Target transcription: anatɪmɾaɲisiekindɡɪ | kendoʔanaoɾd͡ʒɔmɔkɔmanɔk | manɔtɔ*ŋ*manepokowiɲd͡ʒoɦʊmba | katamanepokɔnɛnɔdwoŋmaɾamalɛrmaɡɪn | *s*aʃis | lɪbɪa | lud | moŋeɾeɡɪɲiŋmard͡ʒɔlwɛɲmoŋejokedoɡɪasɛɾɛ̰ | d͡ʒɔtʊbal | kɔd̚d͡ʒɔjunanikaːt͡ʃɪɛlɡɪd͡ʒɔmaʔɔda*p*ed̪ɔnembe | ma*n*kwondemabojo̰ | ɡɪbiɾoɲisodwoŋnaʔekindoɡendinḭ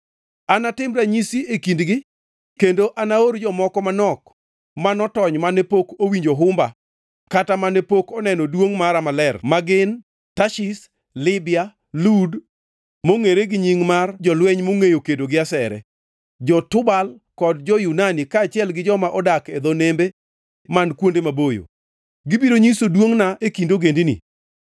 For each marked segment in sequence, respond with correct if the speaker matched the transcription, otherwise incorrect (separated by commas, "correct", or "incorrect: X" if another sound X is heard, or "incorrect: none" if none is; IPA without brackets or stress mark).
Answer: incorrect: ɲ, incorrect: t, incorrect: k, correct